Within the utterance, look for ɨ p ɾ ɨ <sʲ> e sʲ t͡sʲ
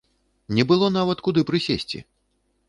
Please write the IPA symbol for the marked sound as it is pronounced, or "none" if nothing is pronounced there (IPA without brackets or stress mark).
sʲ